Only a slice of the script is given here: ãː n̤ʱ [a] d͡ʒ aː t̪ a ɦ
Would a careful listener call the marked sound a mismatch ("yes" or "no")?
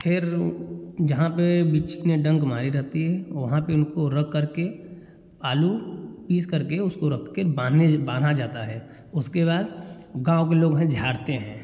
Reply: no